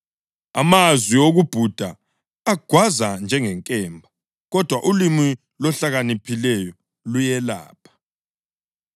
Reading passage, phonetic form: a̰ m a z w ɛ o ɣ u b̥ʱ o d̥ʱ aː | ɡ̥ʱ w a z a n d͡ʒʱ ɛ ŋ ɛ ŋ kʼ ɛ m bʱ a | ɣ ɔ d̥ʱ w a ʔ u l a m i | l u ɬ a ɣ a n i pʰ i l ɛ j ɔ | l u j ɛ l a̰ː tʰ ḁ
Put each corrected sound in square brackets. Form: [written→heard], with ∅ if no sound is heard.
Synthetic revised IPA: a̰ m a z w [ɛ→i] o ɣ u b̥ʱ [o→u] d̥ʱ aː | ɡ̥ʱ w a z a n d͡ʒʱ ɛ ŋ ɛ ŋ kʼ ɛ m bʱ a | ɣ ɔ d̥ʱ w a ʔ u l [a→i] m i | l [u→ɔ] ɬ a ɣ a n i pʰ i l ɛ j ɔ | l u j ɛ l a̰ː [tʰ→pʰ] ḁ